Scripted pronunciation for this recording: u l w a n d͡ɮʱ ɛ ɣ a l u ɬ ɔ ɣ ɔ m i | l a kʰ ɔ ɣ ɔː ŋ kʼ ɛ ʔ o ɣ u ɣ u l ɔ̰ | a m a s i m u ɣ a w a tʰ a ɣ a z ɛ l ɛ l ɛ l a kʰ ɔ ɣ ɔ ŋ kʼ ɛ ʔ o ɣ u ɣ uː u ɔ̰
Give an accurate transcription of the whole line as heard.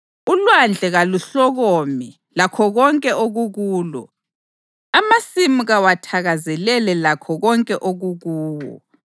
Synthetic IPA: u l w a n d͡ɮʱ ɛ ɣ a l u ɬ ɔ ɣ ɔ m i | l a kʰ ɔ ɣ ɔ ŋ kʼ ɛ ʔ o ɣ u ɣ uː l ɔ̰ | a m a s i m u ɣ a w a tʰ a ɣ a z ɛ l ɛ l ɛ l a kʰ ɔ ɣ ɔ ŋ kʼ ɛ ʔ o ɣ u ɣ uː w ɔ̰